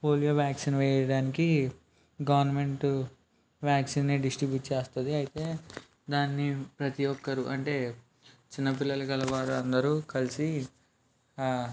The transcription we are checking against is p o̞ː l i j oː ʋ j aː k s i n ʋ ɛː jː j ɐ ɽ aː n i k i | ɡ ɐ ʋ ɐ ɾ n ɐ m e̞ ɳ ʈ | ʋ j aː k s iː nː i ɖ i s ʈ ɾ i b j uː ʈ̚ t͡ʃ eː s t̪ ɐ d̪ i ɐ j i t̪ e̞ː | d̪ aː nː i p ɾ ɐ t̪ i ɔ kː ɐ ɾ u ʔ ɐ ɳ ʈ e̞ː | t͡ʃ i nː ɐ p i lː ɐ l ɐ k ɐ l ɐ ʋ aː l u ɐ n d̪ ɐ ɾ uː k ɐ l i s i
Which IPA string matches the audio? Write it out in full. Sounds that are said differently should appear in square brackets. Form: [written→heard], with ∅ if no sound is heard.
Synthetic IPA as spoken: p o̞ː l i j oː ʋ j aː k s i n ʋ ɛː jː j ɐ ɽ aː n i k i | ɡ ɐ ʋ ɐ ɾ n ɐ m e̞ ɳ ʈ | ʋ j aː k s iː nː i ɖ i s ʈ ɾ i b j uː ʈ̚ t͡ʃ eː s t̪ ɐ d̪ i ɐ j i t̪ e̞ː | d̪ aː nː i p ɾ ɐ t̪ i ɔ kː ɐ ɾ u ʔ ɐ ɳ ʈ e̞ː | t͡ʃ i nː ɐ p i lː ɐ l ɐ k ɐ l ɐ ʋ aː [l→ɾ] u ɐ n d̪ ɐ ɾ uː k ɐ l i s i